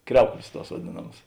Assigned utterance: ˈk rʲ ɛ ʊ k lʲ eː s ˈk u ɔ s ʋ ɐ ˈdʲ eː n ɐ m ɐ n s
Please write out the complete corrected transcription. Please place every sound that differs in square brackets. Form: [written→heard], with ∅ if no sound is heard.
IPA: ˈk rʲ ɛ ʊ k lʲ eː s [ˈk→ˈt] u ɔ s ʋ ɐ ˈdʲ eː n ɐ m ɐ [n→∅] s